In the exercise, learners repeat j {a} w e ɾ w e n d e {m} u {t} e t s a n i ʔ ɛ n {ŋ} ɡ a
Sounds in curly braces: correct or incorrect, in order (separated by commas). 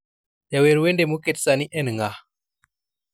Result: correct, correct, incorrect, correct